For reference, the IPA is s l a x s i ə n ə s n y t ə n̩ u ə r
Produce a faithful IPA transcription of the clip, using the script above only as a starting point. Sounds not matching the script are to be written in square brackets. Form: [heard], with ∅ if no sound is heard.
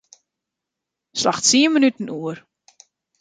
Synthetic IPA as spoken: s l a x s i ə [m] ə [∅] n y t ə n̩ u ə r